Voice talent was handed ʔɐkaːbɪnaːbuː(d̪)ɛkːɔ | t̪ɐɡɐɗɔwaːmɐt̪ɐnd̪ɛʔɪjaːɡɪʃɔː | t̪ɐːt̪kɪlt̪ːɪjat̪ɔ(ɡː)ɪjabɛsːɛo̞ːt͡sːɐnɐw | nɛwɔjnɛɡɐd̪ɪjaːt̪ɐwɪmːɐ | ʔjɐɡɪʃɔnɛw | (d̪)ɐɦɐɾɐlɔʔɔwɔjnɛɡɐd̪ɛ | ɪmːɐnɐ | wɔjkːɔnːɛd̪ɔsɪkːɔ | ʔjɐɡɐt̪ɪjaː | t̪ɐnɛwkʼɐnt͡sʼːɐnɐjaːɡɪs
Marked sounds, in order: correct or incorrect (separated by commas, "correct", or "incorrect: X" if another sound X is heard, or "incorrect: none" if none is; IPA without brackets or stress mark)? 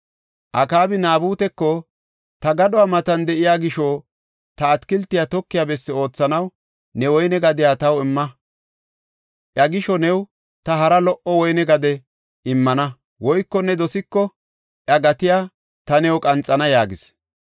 incorrect: t̪, incorrect: kː, incorrect: t̪